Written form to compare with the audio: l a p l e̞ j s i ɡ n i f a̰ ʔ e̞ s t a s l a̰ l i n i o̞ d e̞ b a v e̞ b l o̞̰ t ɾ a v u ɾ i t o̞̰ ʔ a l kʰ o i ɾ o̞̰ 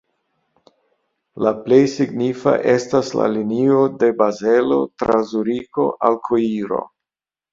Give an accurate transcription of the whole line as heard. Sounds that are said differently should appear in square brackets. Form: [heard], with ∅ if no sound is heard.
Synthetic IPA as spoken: l a p l e̞ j s i ɡ n i f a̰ ʔ e̞ s t a s l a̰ l i n i o̞ d e̞ b a [z] e̞ [∅] l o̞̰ t ɾ a [z] u ɾ i [k] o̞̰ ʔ a l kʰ o i ɾ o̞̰